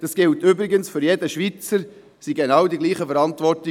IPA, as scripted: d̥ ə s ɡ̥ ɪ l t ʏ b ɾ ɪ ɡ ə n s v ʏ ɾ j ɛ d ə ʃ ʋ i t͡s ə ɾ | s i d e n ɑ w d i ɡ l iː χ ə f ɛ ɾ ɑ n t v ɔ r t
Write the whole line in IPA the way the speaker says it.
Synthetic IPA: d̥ ɑ s ɡ̥ ɪ l t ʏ b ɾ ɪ ɡ ə n s f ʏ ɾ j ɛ d ə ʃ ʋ i t͡s ə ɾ | s i ɡ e n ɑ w d i ɡ l iː χ ə f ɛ ɾ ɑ n t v ɔ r t